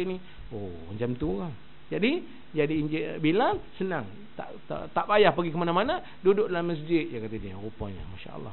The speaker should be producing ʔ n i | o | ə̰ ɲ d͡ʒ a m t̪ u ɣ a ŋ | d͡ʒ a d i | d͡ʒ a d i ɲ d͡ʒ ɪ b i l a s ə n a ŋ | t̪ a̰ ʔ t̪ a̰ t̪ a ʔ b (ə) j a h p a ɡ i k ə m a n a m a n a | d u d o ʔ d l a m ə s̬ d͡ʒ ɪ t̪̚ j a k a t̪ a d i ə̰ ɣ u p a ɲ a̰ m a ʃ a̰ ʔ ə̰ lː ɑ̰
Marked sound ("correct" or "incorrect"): incorrect